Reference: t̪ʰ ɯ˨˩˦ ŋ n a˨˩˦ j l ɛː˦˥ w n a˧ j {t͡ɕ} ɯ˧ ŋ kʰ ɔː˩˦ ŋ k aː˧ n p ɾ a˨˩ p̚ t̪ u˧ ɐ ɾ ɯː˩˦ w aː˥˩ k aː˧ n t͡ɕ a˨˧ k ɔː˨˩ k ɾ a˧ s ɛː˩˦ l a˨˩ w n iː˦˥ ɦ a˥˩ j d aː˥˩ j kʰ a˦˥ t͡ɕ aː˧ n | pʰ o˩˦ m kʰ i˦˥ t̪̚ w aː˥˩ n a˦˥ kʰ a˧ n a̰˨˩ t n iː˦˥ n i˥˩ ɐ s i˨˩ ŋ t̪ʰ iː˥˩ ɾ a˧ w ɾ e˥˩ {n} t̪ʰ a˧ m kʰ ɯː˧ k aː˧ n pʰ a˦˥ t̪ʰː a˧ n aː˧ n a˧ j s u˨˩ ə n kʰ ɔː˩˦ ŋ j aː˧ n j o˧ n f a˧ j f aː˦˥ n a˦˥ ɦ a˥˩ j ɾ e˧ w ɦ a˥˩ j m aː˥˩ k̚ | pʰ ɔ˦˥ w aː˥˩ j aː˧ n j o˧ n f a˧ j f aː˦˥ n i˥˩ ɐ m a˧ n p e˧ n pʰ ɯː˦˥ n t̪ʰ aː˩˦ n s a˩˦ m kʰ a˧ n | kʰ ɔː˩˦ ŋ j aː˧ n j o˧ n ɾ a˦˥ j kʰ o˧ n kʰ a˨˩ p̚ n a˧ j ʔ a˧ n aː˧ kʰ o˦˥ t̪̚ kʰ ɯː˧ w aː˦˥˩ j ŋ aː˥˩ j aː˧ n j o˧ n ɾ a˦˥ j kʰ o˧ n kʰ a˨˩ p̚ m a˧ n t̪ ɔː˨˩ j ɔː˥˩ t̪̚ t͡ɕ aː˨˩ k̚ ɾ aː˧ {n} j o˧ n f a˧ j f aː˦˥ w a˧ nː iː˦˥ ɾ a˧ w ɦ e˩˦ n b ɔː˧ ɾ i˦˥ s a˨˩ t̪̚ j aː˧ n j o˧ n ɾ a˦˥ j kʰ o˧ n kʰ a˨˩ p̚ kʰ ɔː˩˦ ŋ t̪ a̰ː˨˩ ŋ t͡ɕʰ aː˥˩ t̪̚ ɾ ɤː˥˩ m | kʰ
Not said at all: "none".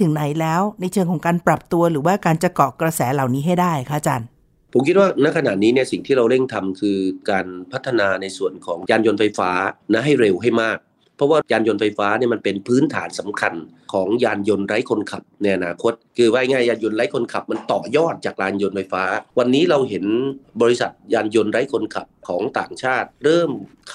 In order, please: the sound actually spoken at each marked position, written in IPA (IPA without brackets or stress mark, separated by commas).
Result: t͡ɕʰ, ŋ, n